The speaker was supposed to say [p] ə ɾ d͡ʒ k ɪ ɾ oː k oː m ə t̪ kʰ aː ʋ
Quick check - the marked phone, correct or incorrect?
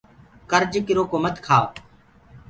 incorrect: k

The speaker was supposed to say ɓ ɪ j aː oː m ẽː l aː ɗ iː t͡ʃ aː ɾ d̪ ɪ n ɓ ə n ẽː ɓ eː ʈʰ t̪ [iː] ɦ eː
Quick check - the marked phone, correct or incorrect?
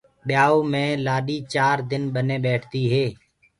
correct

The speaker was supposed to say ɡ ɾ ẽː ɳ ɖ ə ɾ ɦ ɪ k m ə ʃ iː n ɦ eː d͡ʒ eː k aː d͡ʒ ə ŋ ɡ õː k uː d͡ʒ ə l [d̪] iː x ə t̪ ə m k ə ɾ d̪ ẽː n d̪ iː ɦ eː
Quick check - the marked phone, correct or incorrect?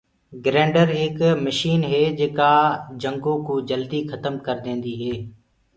correct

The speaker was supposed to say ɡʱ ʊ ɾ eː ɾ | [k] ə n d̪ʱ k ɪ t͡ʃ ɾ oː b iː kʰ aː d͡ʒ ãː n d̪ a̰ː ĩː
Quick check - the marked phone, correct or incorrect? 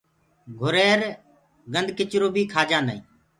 incorrect: ɡ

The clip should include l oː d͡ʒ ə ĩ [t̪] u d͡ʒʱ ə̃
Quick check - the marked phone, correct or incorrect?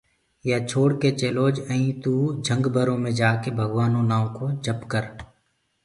correct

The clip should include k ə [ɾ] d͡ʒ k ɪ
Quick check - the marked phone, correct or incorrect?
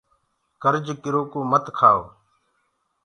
correct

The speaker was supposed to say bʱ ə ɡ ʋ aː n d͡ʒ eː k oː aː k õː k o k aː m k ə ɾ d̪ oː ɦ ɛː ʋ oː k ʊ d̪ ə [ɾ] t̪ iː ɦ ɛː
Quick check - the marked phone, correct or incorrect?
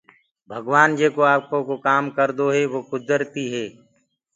correct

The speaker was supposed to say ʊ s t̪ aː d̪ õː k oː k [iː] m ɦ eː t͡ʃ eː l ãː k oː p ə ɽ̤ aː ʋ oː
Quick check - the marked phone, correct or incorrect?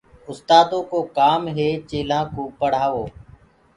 incorrect: aː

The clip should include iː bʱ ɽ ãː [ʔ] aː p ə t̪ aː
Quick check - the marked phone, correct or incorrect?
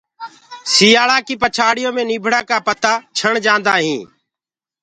incorrect: k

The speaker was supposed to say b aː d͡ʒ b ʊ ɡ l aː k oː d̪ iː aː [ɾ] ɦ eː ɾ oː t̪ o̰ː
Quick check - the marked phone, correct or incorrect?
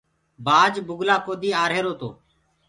correct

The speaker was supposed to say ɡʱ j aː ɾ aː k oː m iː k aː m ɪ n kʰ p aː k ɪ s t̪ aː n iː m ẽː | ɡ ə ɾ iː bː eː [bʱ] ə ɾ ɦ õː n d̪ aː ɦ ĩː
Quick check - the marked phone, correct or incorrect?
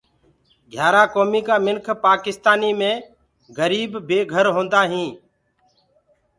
incorrect: ɡʱ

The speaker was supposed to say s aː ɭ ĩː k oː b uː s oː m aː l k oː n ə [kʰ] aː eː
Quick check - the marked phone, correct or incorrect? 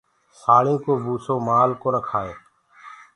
correct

